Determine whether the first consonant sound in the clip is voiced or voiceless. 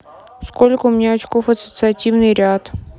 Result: voiceless